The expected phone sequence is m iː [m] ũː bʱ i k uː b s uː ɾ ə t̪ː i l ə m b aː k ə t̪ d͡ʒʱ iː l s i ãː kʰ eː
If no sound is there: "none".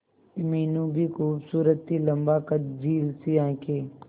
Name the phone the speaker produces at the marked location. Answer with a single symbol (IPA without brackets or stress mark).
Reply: n